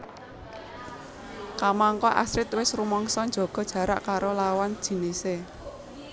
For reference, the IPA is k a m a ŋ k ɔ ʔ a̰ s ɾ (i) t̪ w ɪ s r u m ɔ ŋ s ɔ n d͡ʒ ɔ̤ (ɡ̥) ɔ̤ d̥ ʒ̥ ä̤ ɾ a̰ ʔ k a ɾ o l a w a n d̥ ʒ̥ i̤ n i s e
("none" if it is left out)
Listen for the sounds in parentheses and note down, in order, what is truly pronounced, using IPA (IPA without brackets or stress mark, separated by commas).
ɪ, ɡ̥